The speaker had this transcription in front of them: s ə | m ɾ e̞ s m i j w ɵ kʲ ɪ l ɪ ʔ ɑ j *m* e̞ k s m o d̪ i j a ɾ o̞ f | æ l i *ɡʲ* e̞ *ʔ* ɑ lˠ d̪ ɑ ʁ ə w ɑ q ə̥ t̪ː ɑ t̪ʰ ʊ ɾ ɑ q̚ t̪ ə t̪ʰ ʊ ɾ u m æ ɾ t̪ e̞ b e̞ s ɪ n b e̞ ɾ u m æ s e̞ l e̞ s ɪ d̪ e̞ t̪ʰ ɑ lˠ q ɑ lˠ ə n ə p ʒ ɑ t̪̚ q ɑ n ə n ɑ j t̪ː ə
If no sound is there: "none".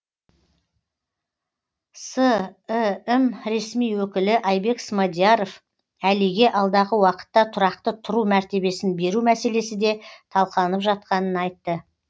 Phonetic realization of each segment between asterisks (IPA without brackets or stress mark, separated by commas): b, ɡʲ, ʔ